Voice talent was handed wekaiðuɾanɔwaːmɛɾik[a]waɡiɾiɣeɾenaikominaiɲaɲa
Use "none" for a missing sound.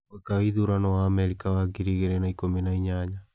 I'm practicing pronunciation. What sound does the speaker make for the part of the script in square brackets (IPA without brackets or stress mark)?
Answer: a